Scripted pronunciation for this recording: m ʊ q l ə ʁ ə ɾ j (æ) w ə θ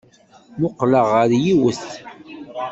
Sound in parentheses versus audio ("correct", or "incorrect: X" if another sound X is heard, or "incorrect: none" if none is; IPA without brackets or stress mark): incorrect: i